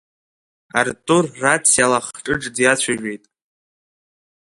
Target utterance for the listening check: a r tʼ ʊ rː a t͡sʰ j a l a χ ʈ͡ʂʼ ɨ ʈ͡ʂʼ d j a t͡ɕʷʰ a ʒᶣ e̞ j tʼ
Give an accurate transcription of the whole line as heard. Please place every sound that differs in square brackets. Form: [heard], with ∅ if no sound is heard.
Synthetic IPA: a r tʼ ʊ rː a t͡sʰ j a l a χ ʈ͡ʂʼ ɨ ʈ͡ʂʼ d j a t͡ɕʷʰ a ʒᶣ e̞ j tʼ